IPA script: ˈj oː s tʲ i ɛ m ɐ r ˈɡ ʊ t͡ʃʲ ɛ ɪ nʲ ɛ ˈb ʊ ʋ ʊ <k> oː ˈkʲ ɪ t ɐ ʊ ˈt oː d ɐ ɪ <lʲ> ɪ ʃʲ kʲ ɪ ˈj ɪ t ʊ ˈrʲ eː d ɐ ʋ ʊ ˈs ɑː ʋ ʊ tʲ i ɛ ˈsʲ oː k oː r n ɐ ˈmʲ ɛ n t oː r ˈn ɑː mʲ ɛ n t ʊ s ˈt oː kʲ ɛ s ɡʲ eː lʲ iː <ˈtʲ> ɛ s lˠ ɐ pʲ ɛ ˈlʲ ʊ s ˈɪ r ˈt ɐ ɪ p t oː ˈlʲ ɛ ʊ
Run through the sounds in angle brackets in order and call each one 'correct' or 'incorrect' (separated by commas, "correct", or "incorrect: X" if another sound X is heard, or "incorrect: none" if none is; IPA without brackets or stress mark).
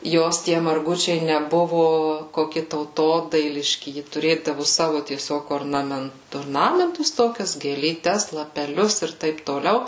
correct, correct, correct